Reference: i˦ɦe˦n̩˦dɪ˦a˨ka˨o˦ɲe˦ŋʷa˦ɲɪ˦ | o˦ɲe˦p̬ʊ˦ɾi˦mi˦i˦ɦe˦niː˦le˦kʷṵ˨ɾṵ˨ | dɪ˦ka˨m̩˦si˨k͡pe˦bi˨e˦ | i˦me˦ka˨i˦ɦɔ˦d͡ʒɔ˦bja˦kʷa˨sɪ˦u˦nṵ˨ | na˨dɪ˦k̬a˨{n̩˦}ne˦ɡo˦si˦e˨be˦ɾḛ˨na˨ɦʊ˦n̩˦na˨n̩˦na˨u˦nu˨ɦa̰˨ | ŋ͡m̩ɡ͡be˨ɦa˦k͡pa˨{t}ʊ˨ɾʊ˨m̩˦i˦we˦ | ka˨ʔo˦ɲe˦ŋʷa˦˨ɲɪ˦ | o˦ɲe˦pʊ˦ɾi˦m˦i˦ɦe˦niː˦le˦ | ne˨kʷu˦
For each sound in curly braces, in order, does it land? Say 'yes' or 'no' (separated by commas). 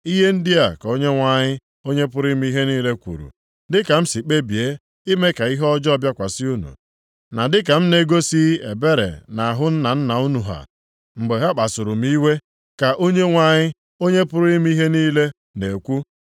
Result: no, no